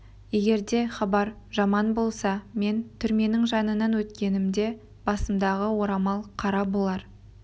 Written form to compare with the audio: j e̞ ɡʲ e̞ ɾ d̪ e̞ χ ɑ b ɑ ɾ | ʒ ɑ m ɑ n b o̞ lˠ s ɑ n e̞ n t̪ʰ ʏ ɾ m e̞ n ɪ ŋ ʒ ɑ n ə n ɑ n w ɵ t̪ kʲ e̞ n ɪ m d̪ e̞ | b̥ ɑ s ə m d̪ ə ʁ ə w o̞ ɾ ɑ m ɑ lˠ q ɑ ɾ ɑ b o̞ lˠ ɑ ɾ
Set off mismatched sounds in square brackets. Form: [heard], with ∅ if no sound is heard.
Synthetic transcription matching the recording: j e̞ ɡʲ e̞ ɾ d̪ e̞ χ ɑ b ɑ ɾ | ʒ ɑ m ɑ n b o̞ lˠ s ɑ [m] e̞ n t̪ʰ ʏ ɾ m e̞ n ɪ ŋ ʒ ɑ n ə n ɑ n w ɵ t̪ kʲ e̞ n ɪ m d̪ e̞ | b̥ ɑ s ə m d̪ [ɑ] ʁ ə w o̞ ɾ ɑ m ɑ lˠ [qʰ] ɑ ɾ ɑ b o̞ lˠ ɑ ɾ